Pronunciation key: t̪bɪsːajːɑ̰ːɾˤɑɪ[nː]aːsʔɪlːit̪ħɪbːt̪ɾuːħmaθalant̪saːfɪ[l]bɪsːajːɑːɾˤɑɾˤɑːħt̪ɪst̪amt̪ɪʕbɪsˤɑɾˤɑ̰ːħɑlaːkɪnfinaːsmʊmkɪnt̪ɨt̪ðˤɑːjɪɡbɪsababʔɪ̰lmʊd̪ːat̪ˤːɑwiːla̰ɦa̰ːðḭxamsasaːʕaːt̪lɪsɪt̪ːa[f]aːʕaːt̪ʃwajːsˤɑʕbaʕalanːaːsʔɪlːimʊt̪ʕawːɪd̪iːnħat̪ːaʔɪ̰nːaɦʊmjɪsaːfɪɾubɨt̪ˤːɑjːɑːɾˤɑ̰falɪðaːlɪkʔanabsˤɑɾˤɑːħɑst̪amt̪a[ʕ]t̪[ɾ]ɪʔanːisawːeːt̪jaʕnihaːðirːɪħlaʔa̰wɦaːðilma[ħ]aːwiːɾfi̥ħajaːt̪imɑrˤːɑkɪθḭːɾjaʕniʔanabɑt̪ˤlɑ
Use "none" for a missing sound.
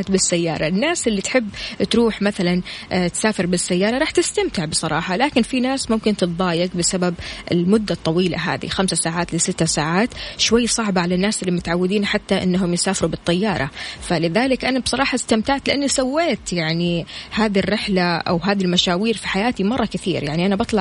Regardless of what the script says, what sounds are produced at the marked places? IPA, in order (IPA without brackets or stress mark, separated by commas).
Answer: nː, ɾ, s, ʕ, l, ʃ